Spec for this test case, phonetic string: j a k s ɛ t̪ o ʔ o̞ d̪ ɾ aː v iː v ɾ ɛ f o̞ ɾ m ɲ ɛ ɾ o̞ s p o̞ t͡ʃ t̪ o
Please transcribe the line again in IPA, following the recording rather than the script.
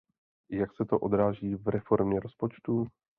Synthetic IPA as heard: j a k s ɛ t̪ o ʔ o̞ d̪ ɾ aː ʒ iː v ɾ ɛ f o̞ ɾ m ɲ ɛ ɾ o̞ s p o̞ t͡ʃ t̪ u

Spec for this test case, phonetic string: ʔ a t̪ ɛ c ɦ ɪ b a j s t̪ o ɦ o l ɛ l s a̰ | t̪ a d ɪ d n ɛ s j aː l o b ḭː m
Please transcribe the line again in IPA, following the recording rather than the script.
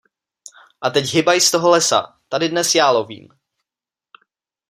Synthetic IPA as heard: ʔ a t̪ ɛ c ɦ ɪ b a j s t̪ o ɦ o l ɛ s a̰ | t̪ a d ɪ d n ɛ s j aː l o v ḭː m

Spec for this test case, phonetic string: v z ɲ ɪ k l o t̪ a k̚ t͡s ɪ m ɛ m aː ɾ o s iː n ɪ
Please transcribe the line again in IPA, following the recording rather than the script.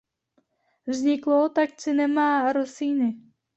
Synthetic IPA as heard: v z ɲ ɪ k l o t̪ a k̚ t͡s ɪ n ɛ m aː ɾ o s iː n ɪ

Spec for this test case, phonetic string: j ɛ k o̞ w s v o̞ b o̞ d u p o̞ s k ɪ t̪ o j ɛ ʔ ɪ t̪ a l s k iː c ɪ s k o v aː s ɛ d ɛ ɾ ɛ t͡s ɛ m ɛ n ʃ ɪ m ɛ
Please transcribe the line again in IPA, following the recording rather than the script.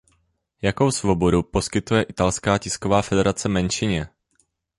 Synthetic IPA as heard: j a k o̞ w s v o̞ b o̞ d u p o̞ s k ɪ t̪ u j ɛ ʔ ɪ t̪ a l s k aː c ɪ s k o v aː f ɛ d ɛ ɾ a t͡s ɛ m ɛ n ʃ ɪ ɲ ɛ

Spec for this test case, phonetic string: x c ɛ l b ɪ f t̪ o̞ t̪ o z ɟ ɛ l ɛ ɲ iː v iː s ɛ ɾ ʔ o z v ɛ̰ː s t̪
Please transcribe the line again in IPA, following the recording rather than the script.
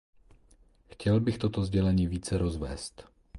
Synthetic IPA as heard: x c ɛ l b ɪ x t̪ o̞ t̪ o z ɟ ɛ l ɛ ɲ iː v iː t͡s ɛ ɾ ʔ o z v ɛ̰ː s t̪

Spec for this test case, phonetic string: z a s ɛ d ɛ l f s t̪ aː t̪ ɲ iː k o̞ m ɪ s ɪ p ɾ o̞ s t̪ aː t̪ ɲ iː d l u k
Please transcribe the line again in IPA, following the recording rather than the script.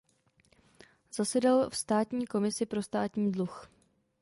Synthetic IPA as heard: z a s ɛ d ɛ l f s t̪ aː t̪ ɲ iː k o̞ m ɪ s ɪ p ɾ o̞ s t̪ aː t̪ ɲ iː d l u x

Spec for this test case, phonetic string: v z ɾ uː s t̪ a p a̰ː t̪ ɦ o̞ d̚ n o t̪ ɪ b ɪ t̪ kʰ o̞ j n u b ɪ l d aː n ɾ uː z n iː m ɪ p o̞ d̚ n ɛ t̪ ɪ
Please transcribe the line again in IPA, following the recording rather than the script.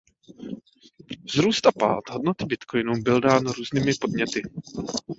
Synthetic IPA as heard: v z ɾ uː s t̪ a p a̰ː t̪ ɦ o̞ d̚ n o t̪ ɪ b ɪ t̪ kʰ o̞ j n u b ɪ l d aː n ɾ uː z n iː m ɪ p o̞ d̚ ɲ ɛ t̪ ɪ

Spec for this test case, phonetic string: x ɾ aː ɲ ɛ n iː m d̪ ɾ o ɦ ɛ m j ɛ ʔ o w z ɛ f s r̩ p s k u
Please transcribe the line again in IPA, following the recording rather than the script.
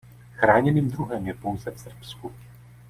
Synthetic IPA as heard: x ɾ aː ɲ ɛ n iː m d̪ ɾ u ɦ ɛ m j ɛ p o w z ɛ f s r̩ p s k u

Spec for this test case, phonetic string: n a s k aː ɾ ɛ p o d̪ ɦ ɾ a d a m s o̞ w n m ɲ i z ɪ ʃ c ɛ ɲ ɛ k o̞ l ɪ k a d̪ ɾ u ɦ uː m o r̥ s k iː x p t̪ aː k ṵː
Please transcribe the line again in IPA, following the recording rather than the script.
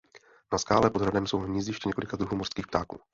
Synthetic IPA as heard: n a s k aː l ɛ p o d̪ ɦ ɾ a d ɛ m s o̞ w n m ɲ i z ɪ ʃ c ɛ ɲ ɛ k o̞ l ɪ k a d̪ ɾ u ɦ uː m o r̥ s k iː x p t̪ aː k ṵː

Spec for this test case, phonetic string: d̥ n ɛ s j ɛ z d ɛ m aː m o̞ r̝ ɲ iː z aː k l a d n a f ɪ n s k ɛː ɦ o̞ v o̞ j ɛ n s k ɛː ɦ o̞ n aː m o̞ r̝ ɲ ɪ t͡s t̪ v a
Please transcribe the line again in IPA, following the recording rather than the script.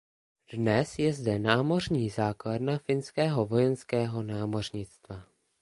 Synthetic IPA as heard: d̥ n ɛ s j ɛ z d ɛ n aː m o̞ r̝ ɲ iː z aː k l a d n a f ɪ n s k ɛː ɦ o̞ v o̞ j ɛ n s k ɛː ɦ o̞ n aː m o̞ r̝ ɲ ɪ t͡s t̪ v a

